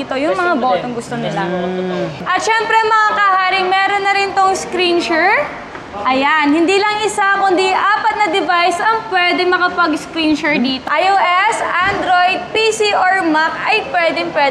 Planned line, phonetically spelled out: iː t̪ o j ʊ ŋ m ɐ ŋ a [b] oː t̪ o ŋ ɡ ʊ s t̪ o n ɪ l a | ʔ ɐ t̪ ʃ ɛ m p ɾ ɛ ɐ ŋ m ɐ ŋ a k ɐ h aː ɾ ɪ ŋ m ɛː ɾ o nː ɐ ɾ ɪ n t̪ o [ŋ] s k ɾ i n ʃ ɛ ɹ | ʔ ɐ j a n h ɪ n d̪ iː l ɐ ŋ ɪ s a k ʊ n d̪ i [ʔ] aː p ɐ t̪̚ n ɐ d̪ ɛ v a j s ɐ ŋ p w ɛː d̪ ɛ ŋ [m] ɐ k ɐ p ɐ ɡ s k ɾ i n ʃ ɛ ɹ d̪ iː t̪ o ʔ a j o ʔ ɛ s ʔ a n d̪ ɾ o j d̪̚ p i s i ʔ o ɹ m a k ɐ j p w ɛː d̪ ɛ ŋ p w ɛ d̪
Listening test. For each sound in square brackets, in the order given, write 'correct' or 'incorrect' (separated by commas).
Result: correct, correct, correct, correct